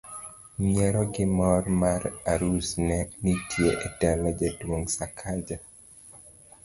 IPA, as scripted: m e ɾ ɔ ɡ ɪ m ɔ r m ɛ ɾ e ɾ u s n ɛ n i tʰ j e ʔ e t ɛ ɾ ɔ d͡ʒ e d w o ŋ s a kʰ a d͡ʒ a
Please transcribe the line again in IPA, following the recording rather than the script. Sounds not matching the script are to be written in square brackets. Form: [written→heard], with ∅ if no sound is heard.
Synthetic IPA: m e ɾ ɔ ɡ ɪ m ɔ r m [ɛ→a] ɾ [e→a] ɾ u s n ɛ n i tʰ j e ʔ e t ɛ [ɾ→l] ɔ d͡ʒ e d w o ŋ s a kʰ a d͡ʒ a